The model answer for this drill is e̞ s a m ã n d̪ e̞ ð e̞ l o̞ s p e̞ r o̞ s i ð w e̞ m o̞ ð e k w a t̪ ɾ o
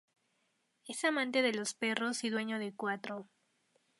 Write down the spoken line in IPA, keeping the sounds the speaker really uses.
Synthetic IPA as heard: e̞ s a m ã n t̪ e̞ ð e̞ l o̞ s p e̞ r o̞ s i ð w e̞ ɲ o̞ ð e k w a t̪ ɾ o

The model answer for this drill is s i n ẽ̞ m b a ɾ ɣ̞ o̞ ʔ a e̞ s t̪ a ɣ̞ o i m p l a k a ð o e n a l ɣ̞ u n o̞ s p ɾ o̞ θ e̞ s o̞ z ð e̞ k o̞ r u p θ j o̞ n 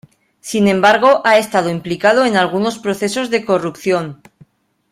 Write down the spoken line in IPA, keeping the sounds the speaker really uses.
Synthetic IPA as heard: s i n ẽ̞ m b a ɾ ɣ̞ o̞ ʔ a e̞ s t̪ a ð̞ o i m p l i k a ð o e n a l ɣ̞ u n o̞ s p ɾ o̞ θ e̞ s o̞ z ð e̞ k o̞ r u p θ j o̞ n

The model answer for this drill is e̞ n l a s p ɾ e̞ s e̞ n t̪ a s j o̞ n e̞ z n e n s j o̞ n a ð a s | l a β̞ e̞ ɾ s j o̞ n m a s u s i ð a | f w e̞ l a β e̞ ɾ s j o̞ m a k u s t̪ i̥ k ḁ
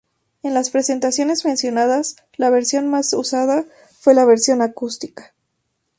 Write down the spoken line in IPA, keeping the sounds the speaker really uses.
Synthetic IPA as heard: e̞ n l a s p ɾ e̞ s e̞ n t̪ a s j o̞ n e̞ z m e n s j o̞ n a ð a s | l a β̞ e̞ ɾ s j o̞ n m a s u s a ð a | f w e̞ l a β e̞ ɾ s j o̞ n a k u s t̪ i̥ k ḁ

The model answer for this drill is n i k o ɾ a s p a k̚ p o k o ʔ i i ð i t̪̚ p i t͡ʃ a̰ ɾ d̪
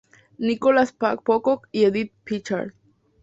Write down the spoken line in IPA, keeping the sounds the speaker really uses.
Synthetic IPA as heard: n i k o l a s p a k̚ p o k o k i e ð i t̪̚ p i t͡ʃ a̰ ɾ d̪

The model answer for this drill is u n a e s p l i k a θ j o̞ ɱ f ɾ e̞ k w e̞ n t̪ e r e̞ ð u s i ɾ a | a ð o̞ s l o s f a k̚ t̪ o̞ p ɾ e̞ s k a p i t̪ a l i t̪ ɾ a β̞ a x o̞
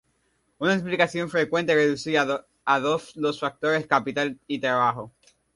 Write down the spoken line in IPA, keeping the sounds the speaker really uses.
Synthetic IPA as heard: u n a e s p l i k a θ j o̞ ɱ f ɾ e̞ k w e̞ n t̪ e r e̞ ð u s i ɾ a | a ð o̞ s l o s f a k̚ t̪ o̞ ɾ e̞ s k a p i t̪ a l i t̪ ɾ a β̞ a x o̞

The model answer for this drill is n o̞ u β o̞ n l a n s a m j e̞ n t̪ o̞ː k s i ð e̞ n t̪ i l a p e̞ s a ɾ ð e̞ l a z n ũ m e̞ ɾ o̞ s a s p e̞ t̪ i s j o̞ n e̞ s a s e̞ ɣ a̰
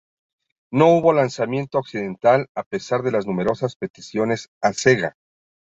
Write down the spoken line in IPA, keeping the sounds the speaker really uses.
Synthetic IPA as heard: n o̞ u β o̞ l a n s a m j e̞ n t̪ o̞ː k s i ð e̞ n t̪ a l a p e̞ s a ɾ ð e̞ l a z n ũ m e̞ ɾ o̞ s a s p e̞ t̪ i s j o̞ n e̞ s a s e̞ ɣ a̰

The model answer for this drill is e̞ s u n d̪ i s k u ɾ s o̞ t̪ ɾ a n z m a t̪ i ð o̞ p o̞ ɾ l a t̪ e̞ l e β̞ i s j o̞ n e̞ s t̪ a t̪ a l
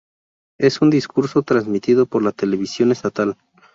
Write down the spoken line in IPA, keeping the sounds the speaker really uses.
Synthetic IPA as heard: e̞ s u n d̪ i s k u ɾ s o̞ t̪ ɾ a n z m i t̪ i ð o̞ p o̞ ɾ l a t̪ e̞ l e β̞ i s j o̞ n e̞ s t̪ a t̪ a l

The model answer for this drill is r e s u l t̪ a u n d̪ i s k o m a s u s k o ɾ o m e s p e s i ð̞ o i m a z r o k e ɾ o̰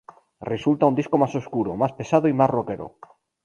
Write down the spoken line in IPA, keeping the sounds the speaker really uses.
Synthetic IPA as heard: r e s u l t̪ a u n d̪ i s k o m a s o s k u ɾ o m a s p e s a ð̞ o i m a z r o k e ɾ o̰

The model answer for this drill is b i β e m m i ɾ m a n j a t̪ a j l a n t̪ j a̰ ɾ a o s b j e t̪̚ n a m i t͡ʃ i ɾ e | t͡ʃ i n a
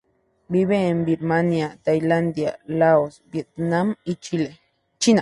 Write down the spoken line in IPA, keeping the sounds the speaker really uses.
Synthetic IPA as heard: b i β e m b i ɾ m a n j a t̪ a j l a n d̪ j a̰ l a o s b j e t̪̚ n a m i t͡ʃ i l e | t͡ʃ i n a

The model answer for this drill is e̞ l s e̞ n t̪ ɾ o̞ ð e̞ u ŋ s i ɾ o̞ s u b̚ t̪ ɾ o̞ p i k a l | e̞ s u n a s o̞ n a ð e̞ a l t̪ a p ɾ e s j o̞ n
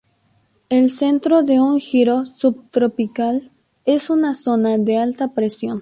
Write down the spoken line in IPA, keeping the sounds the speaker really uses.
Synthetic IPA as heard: e̞ l s e̞ n t̪ ɾ o̞ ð e̞ u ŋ x i ɾ o̞ s u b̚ t̪ ɾ o̞ p i k a l | e̞ s u n a s o̞ n a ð e̞ a l t̪ a p ɾ e s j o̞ n

